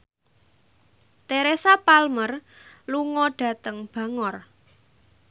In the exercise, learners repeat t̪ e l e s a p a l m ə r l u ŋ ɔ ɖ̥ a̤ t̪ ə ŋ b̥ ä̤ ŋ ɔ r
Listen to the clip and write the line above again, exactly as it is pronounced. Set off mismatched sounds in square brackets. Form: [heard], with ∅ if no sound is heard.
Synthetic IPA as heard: t̪ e [ɾ] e s a p a l m ə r l u ŋ ɔ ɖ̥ a̤ t̪ ə ŋ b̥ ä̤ ŋ ɔ r